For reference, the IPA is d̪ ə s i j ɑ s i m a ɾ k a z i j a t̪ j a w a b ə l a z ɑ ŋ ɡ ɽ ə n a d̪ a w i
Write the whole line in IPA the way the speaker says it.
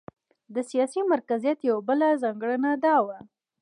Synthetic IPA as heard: d̪ ə s i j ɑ s i m a ɾ k a z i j a t̪ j a w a b ə l a z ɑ ŋ ɡ ɽ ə n a d̪ ɑ w a

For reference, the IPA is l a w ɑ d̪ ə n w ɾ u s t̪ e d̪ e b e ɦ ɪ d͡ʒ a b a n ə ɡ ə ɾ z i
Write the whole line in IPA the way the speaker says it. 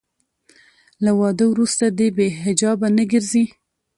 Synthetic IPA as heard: l a w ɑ d̪ ə w ɾ u s t̪ a d̪ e b e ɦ ɪ d͡ʒ ɑ b a n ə ɡ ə ɾ z i

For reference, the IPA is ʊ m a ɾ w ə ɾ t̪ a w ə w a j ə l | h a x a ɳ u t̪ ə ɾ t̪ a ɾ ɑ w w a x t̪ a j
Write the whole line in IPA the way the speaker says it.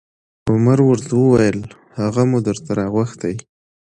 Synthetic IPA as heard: ʊ m a ɾ w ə ɾ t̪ a w ə w a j ə l | h a ɣ a m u d̪ ə ɾ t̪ a ɾ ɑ ɣ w a x t̪ a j

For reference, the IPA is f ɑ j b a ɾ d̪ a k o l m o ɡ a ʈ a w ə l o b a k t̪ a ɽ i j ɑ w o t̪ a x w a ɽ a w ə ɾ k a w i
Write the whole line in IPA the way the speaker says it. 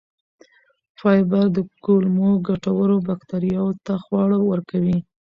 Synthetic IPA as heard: f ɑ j b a ɾ d̪ ə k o l m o ɡ a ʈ a w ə ɾ o b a k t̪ a ɾ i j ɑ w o t̪ a x w ɑ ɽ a w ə ɾ k a w i

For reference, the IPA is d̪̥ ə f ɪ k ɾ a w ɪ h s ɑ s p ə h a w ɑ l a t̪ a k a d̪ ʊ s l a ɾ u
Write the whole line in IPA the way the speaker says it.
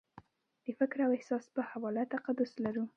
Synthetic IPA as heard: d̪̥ ə f ɪ k ɾ a w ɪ h s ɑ s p ə h a w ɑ l a t̪ a q a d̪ ʊ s l a ɾ u

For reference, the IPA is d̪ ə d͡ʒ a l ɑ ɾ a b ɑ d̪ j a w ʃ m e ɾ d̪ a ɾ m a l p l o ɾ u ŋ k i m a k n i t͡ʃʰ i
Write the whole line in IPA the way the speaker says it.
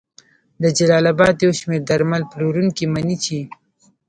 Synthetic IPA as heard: d̪ ə d͡ʒ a l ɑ l a b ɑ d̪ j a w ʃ m e ɾ d̪ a ɾ m a l p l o ɾ u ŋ k i m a n i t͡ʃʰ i

